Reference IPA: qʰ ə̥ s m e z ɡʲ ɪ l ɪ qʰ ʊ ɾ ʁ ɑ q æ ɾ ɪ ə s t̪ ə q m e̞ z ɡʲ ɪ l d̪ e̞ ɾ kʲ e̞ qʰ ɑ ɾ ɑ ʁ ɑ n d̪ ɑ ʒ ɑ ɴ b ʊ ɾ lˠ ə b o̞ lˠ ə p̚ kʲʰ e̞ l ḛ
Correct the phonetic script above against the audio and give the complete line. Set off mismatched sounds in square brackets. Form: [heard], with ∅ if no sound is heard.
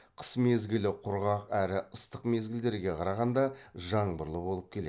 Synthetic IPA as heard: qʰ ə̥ s m e z ɡʲ ɪ l ɪ qʰ ʊ ɾ ʁ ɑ q æ ɾ ɪ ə s t̪ ə q m e̞ z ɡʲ ɪ l d̪ e̞ ɾ [ɡʲ] e̞ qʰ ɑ ɾ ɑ ʁ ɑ n d̪ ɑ ʒ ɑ ɴ b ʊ ɾ lˠ ə b o̞ lˠ ə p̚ kʲʰ e̞ l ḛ